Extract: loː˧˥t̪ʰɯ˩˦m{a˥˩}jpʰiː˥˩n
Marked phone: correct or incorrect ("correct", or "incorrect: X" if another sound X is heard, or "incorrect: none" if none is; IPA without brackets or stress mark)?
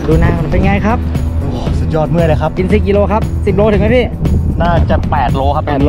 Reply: incorrect: a˦˥